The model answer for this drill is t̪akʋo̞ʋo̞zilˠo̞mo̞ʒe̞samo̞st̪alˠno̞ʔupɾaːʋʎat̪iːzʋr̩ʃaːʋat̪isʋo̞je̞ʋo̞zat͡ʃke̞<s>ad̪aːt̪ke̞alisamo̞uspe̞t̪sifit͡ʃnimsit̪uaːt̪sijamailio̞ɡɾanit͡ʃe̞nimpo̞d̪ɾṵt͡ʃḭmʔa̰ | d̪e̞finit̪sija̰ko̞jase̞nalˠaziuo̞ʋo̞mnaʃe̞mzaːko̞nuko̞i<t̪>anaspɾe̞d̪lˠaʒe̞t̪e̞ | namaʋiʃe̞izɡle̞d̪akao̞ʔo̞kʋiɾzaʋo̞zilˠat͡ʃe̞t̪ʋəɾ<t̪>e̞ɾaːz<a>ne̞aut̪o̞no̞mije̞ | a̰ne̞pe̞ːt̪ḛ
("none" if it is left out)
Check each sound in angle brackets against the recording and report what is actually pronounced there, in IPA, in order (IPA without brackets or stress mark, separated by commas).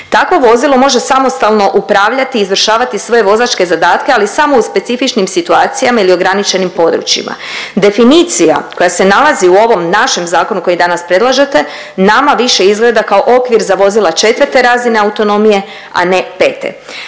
z, d̪, t̪, i